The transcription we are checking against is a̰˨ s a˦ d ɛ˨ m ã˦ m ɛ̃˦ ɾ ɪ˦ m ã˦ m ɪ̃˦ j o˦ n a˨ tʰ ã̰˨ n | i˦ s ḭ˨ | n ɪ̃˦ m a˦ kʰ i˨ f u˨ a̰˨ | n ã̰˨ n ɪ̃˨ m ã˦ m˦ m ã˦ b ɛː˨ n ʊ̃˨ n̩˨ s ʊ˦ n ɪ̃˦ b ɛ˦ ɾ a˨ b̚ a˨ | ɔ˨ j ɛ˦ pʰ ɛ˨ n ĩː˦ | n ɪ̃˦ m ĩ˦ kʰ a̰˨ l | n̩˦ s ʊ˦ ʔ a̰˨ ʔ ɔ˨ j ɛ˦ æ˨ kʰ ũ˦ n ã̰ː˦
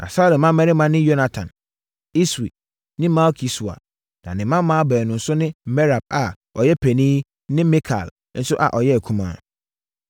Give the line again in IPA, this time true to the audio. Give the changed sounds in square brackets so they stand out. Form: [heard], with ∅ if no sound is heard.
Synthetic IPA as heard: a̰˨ s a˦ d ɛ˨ m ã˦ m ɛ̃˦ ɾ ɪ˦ m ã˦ [n] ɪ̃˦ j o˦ n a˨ tʰ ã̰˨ n | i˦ s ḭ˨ | n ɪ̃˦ m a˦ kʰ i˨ [s] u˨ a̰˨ | n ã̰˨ n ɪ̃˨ m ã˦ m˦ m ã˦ b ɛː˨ n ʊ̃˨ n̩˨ s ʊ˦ n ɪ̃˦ [m] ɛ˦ ɾ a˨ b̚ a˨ | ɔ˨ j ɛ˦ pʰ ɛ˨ n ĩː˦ | n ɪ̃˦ m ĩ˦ kʰ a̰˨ l | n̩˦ s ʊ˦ ʔ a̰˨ ʔ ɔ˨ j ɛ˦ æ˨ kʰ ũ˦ [m] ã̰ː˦